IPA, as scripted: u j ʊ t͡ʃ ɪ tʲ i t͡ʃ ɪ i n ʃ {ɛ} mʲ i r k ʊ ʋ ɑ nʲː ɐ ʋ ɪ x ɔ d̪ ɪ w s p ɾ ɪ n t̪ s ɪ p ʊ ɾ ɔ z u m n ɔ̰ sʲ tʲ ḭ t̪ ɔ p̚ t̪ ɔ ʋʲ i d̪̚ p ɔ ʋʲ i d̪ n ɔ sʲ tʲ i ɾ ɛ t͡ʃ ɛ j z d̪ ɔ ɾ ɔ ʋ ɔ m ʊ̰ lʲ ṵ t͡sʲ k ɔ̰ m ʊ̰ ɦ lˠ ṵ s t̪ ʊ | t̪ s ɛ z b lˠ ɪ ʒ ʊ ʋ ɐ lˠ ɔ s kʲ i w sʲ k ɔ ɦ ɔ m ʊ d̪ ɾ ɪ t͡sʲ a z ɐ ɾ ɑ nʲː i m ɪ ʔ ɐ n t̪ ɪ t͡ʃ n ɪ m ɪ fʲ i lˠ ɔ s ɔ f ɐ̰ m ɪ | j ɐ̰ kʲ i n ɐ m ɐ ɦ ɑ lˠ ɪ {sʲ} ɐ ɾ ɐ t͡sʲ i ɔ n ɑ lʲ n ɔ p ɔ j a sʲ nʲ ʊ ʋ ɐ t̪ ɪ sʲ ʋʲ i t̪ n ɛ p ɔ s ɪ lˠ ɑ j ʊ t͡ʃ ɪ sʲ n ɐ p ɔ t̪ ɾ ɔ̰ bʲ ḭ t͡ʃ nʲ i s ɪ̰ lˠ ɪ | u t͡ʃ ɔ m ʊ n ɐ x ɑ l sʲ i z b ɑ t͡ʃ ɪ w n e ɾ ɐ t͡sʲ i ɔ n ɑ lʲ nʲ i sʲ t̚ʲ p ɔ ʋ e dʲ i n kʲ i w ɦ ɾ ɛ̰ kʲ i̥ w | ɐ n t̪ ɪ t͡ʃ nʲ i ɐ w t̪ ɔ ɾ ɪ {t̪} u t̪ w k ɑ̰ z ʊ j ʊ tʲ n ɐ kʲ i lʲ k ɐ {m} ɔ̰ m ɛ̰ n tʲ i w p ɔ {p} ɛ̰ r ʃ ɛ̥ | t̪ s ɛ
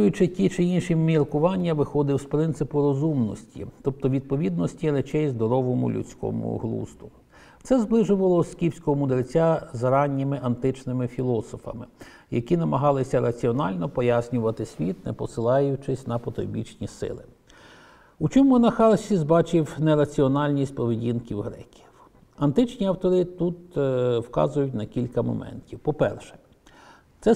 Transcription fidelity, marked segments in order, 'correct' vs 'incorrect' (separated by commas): incorrect, correct, correct, correct, correct